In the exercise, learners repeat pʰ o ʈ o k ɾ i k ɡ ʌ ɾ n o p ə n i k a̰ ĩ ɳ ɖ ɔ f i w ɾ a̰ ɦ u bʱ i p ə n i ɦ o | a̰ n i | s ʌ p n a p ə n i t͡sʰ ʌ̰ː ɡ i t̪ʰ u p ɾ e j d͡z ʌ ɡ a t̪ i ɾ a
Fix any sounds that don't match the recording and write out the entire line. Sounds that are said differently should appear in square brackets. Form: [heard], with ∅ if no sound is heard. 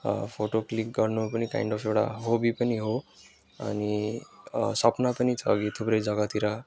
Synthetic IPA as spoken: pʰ o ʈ o k [l] i k ɡ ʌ ɾ n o p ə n i k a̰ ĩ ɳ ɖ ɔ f [e] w [ɽ] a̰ ɦ [o] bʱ i p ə n i ɦ o | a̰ n i | s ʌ p n a p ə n i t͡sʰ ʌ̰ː ɡ i t̪ʰ u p ɾ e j d͡z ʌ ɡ a t̪ i ɾ a